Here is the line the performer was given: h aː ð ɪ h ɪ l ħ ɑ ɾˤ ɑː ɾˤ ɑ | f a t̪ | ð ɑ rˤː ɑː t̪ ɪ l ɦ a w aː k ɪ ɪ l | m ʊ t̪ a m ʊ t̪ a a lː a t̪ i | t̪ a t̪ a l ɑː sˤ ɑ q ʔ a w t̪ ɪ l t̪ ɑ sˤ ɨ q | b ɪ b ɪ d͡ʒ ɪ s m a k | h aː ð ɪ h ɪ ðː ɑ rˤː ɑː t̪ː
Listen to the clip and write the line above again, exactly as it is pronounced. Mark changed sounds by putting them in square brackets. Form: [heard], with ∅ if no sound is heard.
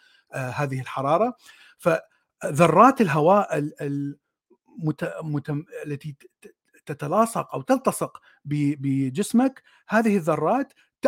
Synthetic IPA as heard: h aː ð ɪ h ɪ l ħ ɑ ɾˤ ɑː ɾˤ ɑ | f a [∅] | ð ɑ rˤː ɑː t̪ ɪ l ɦ a w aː [ʔ] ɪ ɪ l | m ʊ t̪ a m ʊ t̪ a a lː a t̪ i | t̪ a t̪ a l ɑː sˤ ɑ q ʔ a w t̪ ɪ l t̪ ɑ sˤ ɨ q | b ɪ b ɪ d͡ʒ ɪ s m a k | h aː ð ɪ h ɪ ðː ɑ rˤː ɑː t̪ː